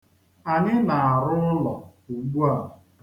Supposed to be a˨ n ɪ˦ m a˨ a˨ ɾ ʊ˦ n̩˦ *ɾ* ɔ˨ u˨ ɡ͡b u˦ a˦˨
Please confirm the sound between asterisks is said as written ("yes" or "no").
no